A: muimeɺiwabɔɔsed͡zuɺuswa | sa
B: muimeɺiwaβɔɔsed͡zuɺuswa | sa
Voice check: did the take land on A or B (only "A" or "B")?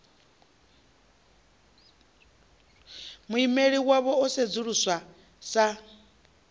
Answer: B